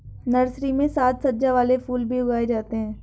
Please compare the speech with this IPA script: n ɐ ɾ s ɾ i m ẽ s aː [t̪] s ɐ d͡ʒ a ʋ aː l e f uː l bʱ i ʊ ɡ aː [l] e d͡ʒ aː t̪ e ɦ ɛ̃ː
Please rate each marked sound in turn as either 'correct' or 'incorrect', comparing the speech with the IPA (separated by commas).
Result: correct, incorrect